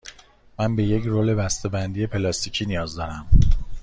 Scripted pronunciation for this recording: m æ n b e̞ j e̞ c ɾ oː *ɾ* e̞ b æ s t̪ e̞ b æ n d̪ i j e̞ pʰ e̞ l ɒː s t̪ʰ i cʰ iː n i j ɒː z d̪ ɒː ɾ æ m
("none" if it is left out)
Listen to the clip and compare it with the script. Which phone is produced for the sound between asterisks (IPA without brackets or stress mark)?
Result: l